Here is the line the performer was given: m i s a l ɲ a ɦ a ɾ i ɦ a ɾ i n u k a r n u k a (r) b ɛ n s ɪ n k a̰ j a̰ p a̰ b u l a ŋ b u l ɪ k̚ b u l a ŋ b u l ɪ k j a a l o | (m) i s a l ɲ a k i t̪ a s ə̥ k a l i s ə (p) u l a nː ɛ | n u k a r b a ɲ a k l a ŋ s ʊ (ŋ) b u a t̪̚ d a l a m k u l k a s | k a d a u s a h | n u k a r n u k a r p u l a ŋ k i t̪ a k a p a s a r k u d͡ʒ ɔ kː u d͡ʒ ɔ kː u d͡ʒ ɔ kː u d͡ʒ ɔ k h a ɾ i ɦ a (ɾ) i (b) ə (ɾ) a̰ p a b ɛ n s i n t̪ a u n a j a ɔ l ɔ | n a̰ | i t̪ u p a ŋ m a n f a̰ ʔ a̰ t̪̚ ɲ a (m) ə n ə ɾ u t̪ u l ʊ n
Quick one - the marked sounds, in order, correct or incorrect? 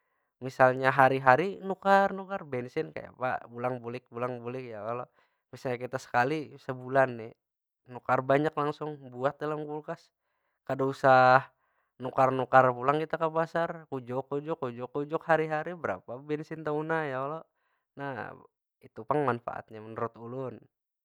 correct, correct, incorrect: b, correct, correct, correct, correct, correct

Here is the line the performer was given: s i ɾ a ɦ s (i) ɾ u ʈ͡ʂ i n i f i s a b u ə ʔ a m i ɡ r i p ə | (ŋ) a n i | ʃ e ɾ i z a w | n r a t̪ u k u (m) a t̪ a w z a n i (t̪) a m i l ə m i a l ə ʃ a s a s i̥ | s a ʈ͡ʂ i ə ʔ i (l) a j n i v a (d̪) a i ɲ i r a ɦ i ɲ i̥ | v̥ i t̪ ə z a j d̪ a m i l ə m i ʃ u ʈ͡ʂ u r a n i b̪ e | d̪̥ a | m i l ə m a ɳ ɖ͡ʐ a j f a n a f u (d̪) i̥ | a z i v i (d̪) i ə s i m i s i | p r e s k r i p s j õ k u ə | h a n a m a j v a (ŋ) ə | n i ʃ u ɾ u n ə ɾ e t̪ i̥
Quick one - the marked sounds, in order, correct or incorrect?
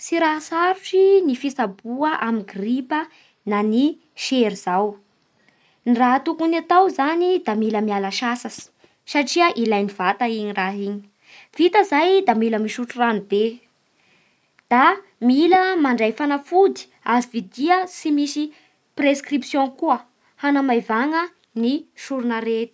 incorrect: a, incorrect: n, incorrect: n, incorrect: d̪, correct, incorrect: t̪, correct, correct, correct

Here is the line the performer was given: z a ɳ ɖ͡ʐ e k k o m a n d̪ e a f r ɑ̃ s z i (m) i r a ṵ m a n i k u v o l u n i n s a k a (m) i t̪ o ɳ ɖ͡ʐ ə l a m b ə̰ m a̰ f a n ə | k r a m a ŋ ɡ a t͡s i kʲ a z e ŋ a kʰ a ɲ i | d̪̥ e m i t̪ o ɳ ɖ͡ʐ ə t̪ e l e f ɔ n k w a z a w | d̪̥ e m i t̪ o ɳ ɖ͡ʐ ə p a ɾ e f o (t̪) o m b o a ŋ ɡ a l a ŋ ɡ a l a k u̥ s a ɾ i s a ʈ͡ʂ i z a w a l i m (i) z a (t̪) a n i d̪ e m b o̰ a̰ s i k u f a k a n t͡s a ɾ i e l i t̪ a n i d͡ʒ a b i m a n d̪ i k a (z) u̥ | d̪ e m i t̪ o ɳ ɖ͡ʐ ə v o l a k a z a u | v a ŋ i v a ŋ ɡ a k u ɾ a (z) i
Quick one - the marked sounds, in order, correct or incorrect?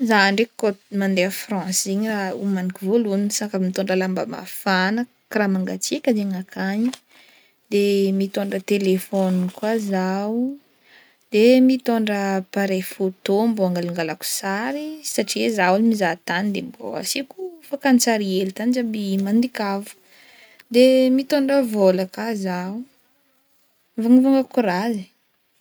incorrect: ɲ, correct, correct, correct, correct, incorrect: v, correct

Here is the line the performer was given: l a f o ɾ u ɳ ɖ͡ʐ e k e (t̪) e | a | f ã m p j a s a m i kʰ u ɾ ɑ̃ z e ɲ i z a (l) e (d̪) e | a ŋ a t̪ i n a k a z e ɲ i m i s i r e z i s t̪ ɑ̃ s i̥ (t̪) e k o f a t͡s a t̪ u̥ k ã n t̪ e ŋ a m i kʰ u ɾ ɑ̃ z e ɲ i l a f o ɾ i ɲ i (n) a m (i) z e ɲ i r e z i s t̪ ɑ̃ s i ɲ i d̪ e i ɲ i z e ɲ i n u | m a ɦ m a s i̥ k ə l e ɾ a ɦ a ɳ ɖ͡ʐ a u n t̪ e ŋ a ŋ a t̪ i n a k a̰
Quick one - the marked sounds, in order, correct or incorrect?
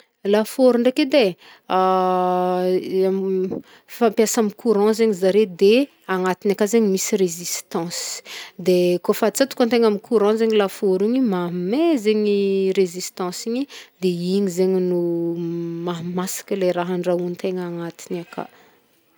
incorrect: d̪, incorrect: ɾ, correct, incorrect: d̪, incorrect: m, incorrect: e

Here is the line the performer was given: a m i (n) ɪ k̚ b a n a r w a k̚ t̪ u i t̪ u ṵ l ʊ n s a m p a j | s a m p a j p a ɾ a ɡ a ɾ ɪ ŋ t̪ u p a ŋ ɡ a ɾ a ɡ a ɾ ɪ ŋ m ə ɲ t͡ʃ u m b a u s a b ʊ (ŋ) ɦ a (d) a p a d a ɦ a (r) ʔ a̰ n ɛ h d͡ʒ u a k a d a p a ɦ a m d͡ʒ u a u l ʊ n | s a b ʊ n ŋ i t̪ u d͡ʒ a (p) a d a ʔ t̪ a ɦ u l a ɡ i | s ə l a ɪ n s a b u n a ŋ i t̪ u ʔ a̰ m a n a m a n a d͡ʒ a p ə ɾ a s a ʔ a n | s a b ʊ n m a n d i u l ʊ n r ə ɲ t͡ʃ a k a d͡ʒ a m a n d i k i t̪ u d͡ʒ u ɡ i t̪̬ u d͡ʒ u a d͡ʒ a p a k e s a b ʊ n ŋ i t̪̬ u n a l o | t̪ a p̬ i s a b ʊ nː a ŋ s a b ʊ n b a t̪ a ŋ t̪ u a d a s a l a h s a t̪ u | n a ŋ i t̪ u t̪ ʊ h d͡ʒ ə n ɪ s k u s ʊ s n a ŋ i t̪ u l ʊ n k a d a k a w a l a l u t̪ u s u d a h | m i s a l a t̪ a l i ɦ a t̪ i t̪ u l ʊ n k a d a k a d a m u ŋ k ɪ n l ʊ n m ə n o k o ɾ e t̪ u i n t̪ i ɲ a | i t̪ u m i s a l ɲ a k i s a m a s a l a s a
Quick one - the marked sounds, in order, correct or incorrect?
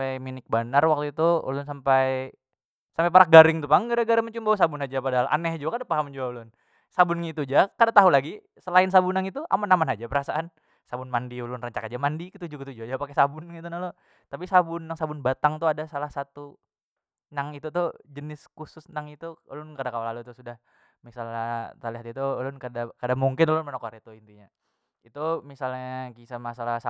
correct, incorrect: n, incorrect: d͡ʒ, incorrect: l, incorrect: k

